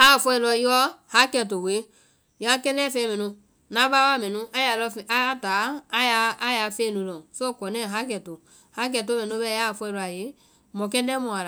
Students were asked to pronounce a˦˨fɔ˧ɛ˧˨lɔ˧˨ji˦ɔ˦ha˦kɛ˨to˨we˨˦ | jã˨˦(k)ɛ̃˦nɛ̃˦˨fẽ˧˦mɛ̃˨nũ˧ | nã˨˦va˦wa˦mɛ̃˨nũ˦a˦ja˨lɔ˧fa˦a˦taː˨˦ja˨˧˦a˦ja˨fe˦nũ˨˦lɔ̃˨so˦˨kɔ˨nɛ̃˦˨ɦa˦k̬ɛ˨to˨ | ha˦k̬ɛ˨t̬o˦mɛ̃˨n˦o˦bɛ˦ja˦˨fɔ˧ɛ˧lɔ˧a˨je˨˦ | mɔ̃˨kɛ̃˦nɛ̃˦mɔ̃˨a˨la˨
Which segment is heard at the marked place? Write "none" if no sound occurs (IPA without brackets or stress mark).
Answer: k